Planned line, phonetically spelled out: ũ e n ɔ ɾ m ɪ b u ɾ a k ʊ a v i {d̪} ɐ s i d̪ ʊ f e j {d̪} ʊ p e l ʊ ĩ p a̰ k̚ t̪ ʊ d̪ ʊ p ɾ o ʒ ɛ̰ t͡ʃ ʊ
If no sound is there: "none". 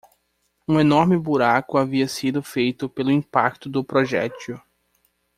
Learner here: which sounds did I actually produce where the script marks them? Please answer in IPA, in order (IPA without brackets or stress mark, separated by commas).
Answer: none, t̪